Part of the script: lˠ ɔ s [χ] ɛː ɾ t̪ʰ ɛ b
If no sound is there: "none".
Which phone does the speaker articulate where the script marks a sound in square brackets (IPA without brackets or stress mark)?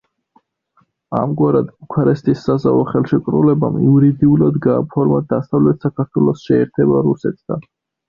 ʃ